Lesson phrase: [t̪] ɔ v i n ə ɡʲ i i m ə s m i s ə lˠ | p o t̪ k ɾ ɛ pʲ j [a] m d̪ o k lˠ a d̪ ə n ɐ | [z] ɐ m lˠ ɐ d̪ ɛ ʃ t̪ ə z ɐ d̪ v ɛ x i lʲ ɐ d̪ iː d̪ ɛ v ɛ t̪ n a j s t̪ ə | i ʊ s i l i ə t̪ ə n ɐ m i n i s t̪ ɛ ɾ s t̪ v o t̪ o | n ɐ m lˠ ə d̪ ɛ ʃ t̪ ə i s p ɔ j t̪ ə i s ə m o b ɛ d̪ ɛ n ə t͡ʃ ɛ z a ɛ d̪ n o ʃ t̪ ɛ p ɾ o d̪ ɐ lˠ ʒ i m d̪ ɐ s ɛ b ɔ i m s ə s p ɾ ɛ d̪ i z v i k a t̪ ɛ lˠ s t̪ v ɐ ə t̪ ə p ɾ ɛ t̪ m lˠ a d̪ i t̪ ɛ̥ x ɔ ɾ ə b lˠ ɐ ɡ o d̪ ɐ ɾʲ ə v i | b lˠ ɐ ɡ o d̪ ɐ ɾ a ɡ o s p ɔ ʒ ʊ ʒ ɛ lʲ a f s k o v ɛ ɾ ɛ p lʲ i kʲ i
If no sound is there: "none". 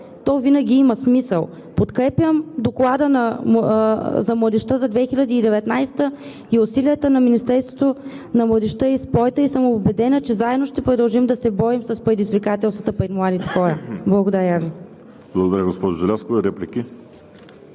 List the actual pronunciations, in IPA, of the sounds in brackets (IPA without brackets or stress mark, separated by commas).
t̪, ə, z